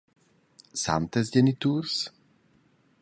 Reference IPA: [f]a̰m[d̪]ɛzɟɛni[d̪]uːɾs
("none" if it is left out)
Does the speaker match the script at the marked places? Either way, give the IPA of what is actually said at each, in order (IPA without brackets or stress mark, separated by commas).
s, t̪, t̪